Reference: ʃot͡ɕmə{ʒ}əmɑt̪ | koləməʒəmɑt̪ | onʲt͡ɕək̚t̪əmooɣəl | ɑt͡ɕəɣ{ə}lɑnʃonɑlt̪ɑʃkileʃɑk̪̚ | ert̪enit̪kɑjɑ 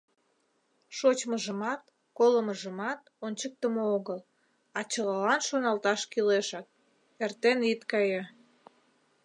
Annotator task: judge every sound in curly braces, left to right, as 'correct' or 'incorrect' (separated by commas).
correct, incorrect